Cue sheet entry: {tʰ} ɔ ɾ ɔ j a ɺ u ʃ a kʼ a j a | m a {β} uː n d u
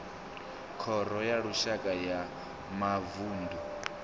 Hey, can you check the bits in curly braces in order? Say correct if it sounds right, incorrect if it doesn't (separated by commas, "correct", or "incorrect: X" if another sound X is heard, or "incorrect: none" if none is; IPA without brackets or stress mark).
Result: incorrect: kʰ, incorrect: v